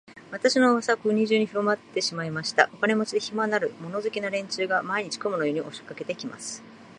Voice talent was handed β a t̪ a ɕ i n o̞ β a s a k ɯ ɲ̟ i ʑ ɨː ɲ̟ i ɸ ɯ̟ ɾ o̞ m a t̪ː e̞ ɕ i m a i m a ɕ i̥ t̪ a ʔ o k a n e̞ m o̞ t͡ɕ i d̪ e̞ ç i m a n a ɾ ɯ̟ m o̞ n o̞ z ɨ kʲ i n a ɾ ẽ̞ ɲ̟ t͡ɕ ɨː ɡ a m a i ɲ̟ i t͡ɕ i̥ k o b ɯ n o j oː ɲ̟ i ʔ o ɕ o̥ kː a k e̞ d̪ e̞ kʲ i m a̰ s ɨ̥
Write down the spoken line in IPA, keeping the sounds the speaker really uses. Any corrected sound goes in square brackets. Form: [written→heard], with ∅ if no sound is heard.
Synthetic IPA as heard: β a t̪ a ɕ i n o̞ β a s a k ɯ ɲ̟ i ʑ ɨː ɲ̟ i ɸ ɯ̟ ɾ o̞ m a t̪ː e̞ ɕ i m a i m a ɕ i̥ t̪ a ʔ o k a n e̞ m o̞ t͡ɕ i d̪ e̞ ç i m a n a ɾ ɯ̟ m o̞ n o̞ z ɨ kʲ i n a ɾ ẽ̞ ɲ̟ t͡ɕ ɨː ɡ a m a i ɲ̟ i t͡ɕ i̥ k o [b→m] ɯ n o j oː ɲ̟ i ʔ o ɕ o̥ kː a k e̞ [d̪→t̪] e̞ kʲ i m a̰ s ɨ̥